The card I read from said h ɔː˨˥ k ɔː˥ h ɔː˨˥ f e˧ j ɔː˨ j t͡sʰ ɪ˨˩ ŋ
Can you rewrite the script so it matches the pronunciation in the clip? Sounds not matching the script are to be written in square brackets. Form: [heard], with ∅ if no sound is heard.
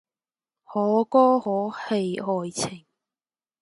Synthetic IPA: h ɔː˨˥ k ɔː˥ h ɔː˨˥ [h] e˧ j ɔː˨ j t͡sʰ ɪ˨˩ ŋ